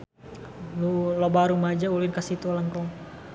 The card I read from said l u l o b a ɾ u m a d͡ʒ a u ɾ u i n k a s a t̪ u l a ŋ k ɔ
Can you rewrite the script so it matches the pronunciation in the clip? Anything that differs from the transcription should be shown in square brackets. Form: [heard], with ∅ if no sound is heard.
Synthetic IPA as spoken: l u l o b a ɾ u m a d͡ʒ a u [l] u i n k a s [i] t̪ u l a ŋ k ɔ